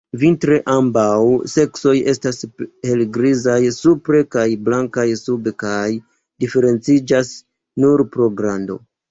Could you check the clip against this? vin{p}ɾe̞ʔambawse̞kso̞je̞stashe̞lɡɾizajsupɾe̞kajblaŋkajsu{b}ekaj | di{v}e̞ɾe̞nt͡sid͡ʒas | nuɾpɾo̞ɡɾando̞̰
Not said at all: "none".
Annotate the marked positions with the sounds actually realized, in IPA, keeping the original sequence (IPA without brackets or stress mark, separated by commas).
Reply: t, b, f